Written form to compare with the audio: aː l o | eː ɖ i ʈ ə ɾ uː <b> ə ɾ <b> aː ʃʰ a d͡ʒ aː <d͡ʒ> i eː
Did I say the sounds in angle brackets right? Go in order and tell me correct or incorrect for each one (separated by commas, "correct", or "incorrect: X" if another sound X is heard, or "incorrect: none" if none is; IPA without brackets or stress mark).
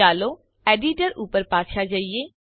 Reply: incorrect: p, incorrect: p, incorrect: none